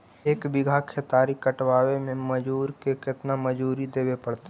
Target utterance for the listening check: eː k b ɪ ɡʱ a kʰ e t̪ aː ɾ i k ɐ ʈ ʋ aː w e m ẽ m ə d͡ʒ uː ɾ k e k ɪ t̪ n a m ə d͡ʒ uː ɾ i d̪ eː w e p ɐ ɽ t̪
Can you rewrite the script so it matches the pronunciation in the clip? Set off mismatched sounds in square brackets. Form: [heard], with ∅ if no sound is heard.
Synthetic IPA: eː k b ɪ ɡʱ a kʰ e t̪ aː ɾ i k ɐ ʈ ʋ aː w e m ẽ m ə d͡ʒ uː ɾ k e k ɪ t̪ n a m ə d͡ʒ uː ɾ i d̪ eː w e p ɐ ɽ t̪